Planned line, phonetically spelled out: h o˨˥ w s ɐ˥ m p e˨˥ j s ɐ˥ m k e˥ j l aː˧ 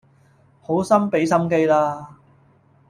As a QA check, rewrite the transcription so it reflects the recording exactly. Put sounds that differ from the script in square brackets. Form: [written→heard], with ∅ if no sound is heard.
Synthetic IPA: h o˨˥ w s ɐ˥ m p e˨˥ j s ɐ˥ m k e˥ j l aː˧